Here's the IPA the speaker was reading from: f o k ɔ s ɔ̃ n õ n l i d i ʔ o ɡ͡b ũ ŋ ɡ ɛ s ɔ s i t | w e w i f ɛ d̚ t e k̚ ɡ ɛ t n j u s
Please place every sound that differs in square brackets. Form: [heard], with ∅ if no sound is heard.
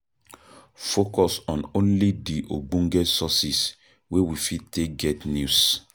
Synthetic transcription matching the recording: f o k ɔ s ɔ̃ n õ n l i d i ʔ o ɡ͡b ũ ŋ ɡ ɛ s ɔ s i [s] | w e w i f [i] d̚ t e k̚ ɡ ɛ t n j u s